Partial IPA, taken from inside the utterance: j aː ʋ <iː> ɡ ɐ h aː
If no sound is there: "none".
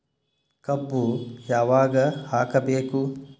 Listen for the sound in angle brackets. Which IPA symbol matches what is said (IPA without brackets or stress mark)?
aː